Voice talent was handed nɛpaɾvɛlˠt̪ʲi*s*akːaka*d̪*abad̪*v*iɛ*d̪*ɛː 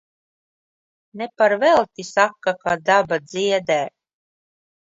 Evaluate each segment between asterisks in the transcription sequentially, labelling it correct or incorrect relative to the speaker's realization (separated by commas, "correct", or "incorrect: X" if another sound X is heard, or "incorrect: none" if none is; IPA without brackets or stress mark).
correct, correct, incorrect: z, correct